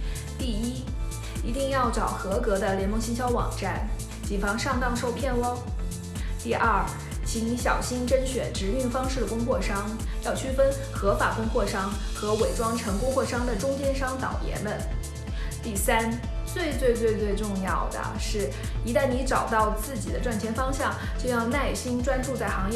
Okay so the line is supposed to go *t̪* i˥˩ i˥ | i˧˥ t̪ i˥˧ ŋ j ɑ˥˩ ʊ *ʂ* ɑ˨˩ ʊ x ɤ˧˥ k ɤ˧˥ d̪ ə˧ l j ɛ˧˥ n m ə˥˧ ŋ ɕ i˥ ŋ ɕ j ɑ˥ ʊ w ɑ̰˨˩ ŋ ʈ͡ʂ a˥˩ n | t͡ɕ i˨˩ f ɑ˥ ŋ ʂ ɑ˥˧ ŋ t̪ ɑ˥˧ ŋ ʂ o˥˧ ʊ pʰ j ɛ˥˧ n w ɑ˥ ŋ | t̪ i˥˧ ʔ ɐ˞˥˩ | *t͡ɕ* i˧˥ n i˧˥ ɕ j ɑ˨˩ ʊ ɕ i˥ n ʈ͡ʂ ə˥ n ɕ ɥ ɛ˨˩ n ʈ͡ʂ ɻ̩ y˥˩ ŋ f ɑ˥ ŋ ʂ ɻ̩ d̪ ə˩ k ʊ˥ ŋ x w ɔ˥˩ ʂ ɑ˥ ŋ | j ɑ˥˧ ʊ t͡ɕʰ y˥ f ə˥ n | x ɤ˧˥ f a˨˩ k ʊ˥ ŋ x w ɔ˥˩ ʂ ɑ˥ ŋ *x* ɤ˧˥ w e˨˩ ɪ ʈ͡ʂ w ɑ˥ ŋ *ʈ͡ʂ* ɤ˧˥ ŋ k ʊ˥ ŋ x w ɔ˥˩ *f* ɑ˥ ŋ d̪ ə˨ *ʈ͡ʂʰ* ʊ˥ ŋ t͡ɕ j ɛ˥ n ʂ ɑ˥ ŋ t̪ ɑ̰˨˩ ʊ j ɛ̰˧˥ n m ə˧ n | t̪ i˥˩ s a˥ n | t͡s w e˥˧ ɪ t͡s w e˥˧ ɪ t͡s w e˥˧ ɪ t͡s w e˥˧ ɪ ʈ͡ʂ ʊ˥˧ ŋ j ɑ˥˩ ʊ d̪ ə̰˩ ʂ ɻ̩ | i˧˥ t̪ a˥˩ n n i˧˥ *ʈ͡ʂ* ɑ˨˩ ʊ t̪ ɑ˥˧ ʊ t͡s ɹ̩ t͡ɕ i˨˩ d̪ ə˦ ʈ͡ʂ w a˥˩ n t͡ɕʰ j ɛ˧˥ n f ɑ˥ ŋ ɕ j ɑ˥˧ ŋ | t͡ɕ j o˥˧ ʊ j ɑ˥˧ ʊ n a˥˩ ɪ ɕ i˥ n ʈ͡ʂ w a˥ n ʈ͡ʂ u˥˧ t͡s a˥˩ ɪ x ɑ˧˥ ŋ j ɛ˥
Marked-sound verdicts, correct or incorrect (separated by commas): correct, incorrect, incorrect, correct, incorrect, incorrect, incorrect, correct